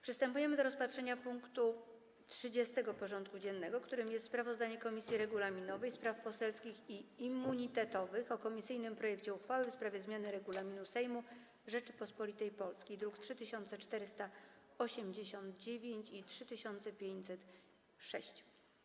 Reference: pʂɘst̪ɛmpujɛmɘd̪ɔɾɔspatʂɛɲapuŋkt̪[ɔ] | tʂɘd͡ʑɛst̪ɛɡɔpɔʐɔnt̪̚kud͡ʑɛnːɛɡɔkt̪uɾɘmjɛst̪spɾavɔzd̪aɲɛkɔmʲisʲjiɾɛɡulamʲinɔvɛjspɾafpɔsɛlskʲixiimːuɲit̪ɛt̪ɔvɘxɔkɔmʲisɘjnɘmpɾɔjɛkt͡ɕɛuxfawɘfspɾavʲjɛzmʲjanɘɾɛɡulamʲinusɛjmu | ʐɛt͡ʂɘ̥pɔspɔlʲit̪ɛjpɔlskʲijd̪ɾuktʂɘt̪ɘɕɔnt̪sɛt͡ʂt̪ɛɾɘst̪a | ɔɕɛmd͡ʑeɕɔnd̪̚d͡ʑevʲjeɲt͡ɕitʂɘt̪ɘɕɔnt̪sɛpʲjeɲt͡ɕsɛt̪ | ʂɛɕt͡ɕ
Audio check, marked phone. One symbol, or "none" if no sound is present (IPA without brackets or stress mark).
u